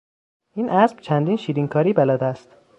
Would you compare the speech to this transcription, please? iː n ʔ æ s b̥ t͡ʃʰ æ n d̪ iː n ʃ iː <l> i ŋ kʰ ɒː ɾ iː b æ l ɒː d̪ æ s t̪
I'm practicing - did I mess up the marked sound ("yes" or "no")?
yes